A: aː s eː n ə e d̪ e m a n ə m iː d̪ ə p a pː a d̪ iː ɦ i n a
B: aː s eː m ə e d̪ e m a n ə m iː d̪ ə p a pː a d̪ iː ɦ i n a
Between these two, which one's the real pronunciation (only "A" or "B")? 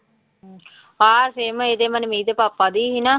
B